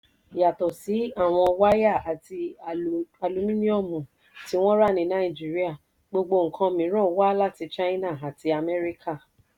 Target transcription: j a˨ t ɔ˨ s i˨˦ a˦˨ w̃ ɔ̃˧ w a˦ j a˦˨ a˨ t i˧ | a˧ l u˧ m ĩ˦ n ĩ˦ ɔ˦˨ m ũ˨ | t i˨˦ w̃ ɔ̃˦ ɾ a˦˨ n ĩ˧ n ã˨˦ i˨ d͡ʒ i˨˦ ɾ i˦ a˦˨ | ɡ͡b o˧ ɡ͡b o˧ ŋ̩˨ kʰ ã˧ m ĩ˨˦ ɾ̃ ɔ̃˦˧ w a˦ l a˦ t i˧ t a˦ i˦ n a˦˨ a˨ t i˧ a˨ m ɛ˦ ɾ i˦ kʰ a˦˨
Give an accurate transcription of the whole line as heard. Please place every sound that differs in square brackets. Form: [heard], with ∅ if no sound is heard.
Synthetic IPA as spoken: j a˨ t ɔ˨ s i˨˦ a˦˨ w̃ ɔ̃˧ w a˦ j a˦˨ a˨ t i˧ | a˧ l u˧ m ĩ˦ n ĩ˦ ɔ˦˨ m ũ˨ | t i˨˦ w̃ ɔ̃˦ ɾ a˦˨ n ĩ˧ n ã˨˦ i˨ d͡ʒ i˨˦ ɾ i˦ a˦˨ | ɡ͡b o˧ ɡ͡b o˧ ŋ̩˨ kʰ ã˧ m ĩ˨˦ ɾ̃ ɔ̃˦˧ w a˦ l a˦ t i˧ [t͡ʃ] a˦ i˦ n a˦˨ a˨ t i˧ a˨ m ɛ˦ ɾ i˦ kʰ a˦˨